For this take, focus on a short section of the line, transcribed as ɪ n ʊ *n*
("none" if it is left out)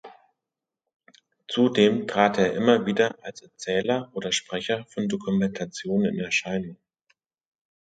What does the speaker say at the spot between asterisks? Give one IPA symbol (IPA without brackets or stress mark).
ŋ